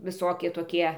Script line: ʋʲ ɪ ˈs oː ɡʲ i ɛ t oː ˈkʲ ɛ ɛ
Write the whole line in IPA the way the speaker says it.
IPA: ʋʲ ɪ ˈs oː kʲ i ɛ t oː ˈkʲ i ɛ

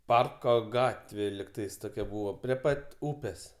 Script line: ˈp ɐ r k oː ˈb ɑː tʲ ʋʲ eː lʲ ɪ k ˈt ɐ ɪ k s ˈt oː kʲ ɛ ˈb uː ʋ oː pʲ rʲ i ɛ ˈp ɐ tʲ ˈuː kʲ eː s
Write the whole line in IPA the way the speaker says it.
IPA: ˈp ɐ r k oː ˈɡ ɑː tʲ ʋʲ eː lʲ ɪ k ˈt ɐ ɪ s ˈt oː kʲ ɛ ˈb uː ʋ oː pʲ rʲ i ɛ ˈp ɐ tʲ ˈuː pʲ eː s

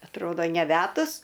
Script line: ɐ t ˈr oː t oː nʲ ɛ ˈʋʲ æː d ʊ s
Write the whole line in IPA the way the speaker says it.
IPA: ɐ t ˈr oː d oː nʲ ɛ ˈʋʲ æː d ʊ s

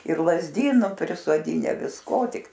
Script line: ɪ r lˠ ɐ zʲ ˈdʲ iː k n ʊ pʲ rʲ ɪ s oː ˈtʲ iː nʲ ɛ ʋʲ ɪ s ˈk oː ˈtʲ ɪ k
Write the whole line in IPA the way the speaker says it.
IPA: ɪ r lˠ ɐ zʲ ˈdʲ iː n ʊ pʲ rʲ ɪ s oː ˈdʲ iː nʲ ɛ ʋʲ ɪ s ˈk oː ˈtʲ ɪ k

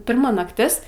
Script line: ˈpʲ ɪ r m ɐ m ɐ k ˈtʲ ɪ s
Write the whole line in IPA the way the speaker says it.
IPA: ˈpʲ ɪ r m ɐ n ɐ k ˈtʲ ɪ s

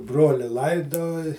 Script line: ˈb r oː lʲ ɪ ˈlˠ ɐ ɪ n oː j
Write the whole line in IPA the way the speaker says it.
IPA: ˈb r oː lʲ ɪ ˈlˠ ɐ ɪ d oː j

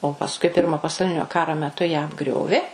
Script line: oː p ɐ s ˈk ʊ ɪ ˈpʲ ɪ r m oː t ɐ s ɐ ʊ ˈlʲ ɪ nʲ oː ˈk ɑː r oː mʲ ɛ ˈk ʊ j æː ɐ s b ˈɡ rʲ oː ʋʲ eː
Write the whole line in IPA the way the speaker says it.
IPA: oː p ɐ s ˈk ʊ ɪ ˈpʲ ɪ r m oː p ɐ s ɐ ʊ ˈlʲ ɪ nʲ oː ˈk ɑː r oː mʲ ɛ ˈt ʊ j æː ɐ b ˈɡ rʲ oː ʋʲ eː

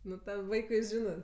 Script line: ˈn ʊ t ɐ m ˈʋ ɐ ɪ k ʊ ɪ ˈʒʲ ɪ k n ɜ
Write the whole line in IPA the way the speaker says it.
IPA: ˈn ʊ t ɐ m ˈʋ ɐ ɪ k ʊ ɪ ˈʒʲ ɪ n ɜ

